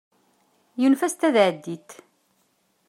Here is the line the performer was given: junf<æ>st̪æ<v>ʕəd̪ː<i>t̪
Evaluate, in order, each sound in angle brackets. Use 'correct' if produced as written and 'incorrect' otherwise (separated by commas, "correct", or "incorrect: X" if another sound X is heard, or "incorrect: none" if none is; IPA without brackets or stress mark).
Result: correct, incorrect: ð, correct